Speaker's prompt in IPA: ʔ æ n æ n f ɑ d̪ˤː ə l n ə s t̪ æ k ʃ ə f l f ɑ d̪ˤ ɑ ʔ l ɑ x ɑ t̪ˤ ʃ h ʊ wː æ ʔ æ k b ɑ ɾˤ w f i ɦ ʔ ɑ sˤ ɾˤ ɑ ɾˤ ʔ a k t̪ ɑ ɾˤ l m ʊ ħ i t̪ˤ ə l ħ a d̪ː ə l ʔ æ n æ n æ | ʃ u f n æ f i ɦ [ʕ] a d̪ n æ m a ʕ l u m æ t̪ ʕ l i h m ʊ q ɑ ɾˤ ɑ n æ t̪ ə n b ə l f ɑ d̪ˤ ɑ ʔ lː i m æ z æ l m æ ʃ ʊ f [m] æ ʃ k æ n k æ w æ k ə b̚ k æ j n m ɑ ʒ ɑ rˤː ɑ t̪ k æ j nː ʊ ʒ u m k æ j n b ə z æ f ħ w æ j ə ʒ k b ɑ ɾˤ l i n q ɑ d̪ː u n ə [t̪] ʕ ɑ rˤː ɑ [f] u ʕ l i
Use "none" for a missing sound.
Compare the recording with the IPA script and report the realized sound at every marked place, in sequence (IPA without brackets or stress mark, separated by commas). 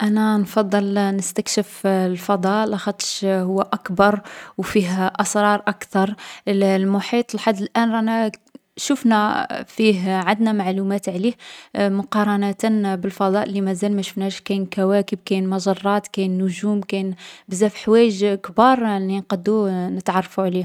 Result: ʕ, n, t̪, f